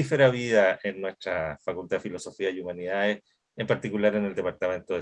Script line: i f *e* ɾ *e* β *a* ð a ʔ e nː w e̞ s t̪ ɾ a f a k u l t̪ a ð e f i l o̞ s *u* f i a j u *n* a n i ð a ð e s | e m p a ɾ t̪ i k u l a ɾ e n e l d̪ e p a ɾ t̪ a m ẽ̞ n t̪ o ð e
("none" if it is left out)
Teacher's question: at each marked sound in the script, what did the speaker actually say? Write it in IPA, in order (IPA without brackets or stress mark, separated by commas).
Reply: e, a, i, o, m